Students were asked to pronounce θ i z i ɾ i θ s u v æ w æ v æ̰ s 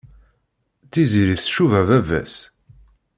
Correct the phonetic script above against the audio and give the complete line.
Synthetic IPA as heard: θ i z i ɾ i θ ʃ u v æ v æ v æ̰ s